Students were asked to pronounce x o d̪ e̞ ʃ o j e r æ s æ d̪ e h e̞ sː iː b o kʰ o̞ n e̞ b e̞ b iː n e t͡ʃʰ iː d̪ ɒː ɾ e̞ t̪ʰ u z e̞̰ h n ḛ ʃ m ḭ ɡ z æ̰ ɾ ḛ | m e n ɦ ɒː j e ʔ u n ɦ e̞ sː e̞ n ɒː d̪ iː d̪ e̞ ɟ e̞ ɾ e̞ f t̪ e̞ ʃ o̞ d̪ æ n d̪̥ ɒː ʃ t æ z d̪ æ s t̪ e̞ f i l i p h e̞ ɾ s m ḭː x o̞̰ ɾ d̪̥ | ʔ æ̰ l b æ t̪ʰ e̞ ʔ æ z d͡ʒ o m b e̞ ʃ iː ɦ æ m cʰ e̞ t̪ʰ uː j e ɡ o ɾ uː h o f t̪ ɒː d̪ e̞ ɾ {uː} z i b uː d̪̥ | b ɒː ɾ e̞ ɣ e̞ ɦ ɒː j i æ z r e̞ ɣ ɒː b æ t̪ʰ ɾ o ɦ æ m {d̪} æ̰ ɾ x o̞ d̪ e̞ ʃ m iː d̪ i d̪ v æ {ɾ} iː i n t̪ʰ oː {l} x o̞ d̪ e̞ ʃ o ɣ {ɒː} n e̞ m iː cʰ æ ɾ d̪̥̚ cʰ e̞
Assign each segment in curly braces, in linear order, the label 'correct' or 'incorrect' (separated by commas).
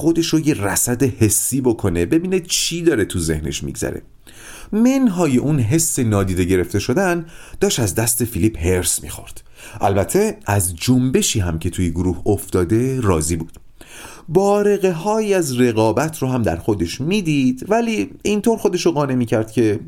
incorrect, correct, incorrect, incorrect, correct